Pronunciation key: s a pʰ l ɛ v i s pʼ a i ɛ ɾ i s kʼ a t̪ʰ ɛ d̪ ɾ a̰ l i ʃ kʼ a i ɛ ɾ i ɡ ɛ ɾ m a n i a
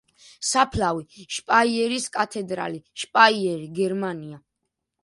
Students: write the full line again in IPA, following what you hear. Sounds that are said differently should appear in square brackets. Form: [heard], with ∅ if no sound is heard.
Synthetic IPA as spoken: s a pʰ l [a] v i [ʃ] pʼ a i ɛ ɾ i s kʼ a t̪ʰ ɛ d̪ ɾ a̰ l i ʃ [pʼ] a i ɛ ɾ i ɡ ɛ ɾ m a n i a

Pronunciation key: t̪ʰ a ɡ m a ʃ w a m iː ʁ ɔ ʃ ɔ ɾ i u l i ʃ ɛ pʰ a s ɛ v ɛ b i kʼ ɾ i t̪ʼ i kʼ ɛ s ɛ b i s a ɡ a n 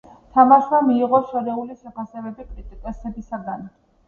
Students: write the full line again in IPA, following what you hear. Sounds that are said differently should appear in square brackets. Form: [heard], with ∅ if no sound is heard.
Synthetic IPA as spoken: t̪ʰ a [∅] m a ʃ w a m iː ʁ ɔ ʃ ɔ ɾ [ɛ] u l i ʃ ɛ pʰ a s ɛ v ɛ b i kʼ ɾ i t̪ʼ i kʼ ɛ s ɛ b i s a ɡ a n

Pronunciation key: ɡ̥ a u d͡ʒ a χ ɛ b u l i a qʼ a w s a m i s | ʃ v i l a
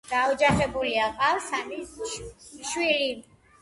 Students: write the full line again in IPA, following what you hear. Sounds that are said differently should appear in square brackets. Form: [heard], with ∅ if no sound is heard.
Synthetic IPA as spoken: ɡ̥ a [ɔ] d͡ʒ a χ ɛ b u l i a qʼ a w s a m i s | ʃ [w] i l [i]

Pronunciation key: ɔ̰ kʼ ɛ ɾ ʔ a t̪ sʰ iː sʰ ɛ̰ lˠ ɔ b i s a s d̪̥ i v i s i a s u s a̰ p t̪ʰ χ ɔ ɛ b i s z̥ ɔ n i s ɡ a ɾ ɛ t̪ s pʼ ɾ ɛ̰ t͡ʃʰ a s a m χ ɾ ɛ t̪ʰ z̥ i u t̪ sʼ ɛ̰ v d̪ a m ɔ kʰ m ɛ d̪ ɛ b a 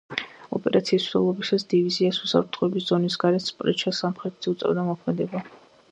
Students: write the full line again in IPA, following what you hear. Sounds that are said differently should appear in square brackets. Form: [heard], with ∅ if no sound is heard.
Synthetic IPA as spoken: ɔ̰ [pʼ] ɛ ɾ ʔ a t̪ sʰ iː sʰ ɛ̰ lˠ ɔ b i s a s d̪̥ i v i [z] i a s u s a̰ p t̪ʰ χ ɔ ɛ b i s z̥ ɔ n i s ɡ a ɾ ɛ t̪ s pʼ ɾ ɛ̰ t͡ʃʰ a s a m χ ɾ ɛ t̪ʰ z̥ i u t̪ sʼ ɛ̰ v d̪ a m ɔ kʰ m ɛ d̪ ɛ b a

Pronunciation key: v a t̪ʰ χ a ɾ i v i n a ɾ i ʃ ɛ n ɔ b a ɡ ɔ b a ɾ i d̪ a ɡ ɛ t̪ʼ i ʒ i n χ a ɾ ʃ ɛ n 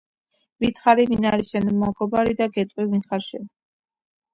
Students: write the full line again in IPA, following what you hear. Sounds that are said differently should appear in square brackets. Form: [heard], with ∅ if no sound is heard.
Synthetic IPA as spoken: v [i] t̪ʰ χ a ɾ i v i n a ɾ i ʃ ɛ n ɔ [m] a ɡ ɔ b a ɾ i d̪ a ɡ ɛ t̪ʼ i [v] i n χ a ɾ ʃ ɛ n

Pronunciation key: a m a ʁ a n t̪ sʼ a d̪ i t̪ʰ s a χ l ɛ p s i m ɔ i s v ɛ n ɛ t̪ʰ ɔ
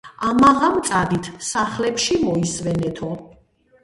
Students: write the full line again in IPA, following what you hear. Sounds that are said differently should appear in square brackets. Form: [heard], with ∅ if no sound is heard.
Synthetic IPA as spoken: a m a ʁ a [m] t̪ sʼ a d̪ i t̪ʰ s a χ l ɛ p [ʃ] i m ɔ i s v ɛ n ɛ t̪ʰ ɔ

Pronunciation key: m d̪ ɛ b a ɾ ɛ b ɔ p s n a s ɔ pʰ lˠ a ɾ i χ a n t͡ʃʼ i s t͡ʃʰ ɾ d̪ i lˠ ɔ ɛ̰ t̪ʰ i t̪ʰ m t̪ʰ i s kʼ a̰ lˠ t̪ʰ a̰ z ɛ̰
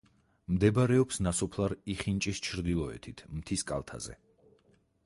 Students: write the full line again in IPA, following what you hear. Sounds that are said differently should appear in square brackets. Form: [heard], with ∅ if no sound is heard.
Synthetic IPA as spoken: m d̪ ɛ b a ɾ ɛ [∅] ɔ p s n a s ɔ pʰ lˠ a ɾ i χ [i] n t͡ʃʼ i s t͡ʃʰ ɾ d̪ i lˠ ɔ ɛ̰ t̪ʰ i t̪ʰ m t̪ʰ i s kʼ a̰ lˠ t̪ʰ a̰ z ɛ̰

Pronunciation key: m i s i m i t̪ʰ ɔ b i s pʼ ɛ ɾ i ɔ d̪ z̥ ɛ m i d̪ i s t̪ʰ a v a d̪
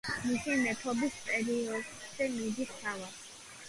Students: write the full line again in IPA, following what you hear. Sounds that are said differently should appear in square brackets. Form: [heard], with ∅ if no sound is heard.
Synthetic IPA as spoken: m i s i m [ɛ] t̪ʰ ɔ b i s pʼ ɛ ɾ i ɔ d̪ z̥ ɛ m i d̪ i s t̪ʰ a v a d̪

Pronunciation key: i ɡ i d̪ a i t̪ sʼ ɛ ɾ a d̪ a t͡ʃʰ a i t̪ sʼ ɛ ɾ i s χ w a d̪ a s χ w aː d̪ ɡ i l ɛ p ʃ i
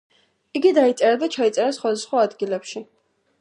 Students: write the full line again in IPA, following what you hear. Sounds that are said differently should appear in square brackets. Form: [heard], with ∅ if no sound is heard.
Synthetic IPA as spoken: i ɡ i d̪ a i t̪ sʼ ɛ ɾ a d̪ a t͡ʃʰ a i t̪ sʼ ɛ ɾ [a] s χ w a d̪ a s χ w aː d̪ ɡ i l ɛ p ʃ i

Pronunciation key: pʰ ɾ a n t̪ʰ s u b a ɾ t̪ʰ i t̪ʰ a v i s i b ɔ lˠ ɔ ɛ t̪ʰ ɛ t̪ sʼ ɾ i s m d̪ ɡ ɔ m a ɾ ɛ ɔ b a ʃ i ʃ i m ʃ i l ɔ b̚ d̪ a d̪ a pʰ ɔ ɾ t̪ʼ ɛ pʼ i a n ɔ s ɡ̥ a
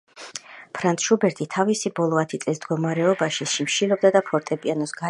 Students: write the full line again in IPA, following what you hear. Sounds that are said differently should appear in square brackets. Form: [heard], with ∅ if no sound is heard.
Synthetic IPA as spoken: pʰ ɾ a n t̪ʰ [ʃ] u b [ɛ] ɾ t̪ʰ i t̪ʰ a v i s i b ɔ lˠ ɔ [a] t̪ʰ [i] t̪ sʼ [l] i s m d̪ ɡ ɔ m a ɾ ɛ ɔ b a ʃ i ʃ i m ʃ i l ɔ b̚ d̪ a d̪ a pʰ ɔ ɾ t̪ʼ ɛ pʼ i a n ɔ s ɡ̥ a

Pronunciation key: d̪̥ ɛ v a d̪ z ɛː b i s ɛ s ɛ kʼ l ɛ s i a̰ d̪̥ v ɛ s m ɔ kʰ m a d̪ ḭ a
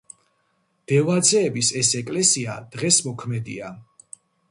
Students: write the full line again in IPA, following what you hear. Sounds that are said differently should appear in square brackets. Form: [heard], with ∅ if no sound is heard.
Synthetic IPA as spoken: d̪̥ ɛ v a d̪ z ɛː b i s ɛ s ɛ kʼ l ɛ s i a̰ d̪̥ [ʁ] ɛ s m ɔ kʰ m [ɛ] d̪ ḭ a

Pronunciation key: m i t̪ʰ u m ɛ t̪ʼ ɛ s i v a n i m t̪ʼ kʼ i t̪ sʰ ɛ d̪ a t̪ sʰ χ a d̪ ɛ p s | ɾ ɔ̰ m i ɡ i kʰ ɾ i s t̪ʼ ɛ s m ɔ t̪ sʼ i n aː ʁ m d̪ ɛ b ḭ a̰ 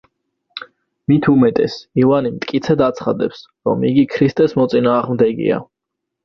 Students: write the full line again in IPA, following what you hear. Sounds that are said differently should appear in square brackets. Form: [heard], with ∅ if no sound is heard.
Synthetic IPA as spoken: m i t̪ʰ u m ɛ t̪ʼ ɛ s i v a n i m t̪ʼ kʼ i t̪ sʰ ɛ d̪ a t̪ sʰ χ a d̪ ɛ p s | ɾ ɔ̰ m i ɡ i kʰ ɾ i s t̪ʼ ɛ s m ɔ t̪ sʼ i n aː ʁ m d̪ ɛ [ɡ] ḭ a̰

